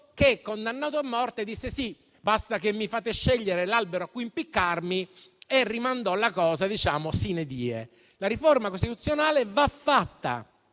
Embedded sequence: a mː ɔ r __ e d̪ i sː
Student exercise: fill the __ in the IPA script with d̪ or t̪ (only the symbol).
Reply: t̪